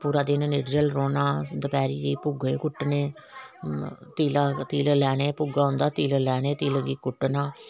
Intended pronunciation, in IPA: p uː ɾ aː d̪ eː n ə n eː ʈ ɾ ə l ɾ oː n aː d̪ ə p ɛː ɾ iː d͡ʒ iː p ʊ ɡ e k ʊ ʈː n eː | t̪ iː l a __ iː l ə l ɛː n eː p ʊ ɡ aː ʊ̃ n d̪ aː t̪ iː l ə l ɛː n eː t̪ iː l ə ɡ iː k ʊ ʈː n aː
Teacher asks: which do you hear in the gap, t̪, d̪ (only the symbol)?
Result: t̪